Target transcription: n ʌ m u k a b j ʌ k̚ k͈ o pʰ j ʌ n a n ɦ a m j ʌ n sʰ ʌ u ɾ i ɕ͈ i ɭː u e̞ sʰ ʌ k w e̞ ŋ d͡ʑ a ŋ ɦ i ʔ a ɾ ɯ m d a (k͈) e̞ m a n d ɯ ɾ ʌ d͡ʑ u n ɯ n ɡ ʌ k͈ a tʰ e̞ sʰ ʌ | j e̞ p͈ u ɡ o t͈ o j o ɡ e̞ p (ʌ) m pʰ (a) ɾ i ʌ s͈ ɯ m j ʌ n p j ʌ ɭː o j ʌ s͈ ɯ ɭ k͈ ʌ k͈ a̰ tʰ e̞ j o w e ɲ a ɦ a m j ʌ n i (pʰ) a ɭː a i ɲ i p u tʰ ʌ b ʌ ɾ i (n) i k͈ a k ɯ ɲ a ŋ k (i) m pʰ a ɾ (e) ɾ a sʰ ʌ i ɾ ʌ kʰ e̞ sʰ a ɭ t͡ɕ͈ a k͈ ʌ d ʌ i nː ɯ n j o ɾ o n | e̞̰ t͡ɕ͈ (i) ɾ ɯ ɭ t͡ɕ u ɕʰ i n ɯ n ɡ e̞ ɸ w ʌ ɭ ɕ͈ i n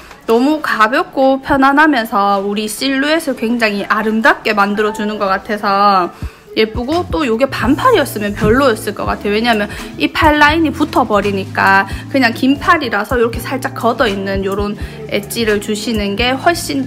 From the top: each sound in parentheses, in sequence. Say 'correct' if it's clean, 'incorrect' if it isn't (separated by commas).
correct, incorrect, correct, correct, incorrect, correct, incorrect, correct